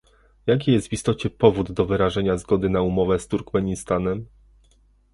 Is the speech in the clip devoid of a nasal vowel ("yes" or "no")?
yes